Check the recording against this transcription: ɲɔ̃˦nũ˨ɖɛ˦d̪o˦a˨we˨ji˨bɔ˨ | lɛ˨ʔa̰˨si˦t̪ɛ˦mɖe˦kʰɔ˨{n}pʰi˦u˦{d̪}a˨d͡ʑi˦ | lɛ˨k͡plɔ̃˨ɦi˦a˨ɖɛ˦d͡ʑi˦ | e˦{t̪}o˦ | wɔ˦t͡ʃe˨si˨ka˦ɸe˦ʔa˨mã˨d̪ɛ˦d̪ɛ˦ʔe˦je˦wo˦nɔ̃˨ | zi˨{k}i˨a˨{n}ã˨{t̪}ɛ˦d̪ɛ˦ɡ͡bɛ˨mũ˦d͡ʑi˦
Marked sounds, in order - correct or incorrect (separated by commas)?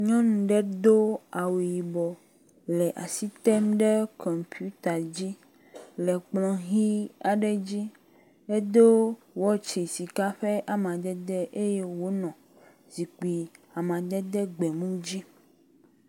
incorrect, incorrect, incorrect, incorrect, incorrect, incorrect